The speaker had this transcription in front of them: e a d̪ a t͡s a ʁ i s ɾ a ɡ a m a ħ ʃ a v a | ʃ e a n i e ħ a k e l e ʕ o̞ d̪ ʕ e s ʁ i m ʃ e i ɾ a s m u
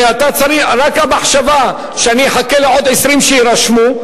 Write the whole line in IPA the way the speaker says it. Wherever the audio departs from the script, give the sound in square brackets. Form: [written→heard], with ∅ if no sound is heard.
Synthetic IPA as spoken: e a [d̪→t̪] a t͡s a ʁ i [s→χ] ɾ a [ɡ→k] a m a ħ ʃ a v a | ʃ e a n i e ħ a k e l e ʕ o̞ d̪ ʕ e s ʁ i m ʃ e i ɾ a [s→ʃ] m u